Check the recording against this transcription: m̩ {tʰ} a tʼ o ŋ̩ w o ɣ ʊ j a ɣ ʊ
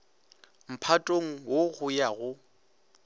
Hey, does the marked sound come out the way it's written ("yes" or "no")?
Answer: no